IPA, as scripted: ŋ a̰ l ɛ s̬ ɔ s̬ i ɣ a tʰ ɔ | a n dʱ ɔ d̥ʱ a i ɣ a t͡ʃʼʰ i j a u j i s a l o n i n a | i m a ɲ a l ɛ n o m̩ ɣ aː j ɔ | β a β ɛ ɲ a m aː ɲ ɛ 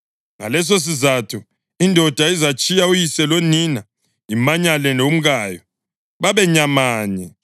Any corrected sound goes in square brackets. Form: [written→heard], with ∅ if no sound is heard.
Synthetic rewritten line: ŋ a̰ l ɛ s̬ [ɔ→o] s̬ i [ɣ→z] a tʰ [ɔ→u] | [a→i] n dʱ ɔ d̥ʱ a i [ɣ→z] a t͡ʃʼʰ i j a u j i s [a→ɛ] l o n i n a | i m a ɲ a l ɛ n o m̩ ɣ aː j ɔ | β a β ɛ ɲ a m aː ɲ ɛ